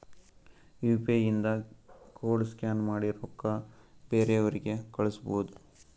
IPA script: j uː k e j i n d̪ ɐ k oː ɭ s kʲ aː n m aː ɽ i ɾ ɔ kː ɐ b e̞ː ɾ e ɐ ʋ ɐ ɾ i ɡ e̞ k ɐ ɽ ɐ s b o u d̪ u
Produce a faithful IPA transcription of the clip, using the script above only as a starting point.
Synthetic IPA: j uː p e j i n d̪ ɐ k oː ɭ s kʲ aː n m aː ɽ i ɾ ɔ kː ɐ b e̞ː ɾ e ɐ ʋ ɐ ɾ i ɡ e̞ k ɐ ɭ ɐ s b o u d̪ u